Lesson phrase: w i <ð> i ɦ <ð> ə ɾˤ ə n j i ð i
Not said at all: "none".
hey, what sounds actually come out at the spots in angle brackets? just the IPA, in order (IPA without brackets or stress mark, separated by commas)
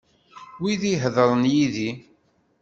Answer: ð, ð